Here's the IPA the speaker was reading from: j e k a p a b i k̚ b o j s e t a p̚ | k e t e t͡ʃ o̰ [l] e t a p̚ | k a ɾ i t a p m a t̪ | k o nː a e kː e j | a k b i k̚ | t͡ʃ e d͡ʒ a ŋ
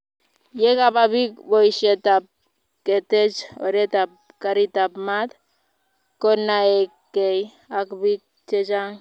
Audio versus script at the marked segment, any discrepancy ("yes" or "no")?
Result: yes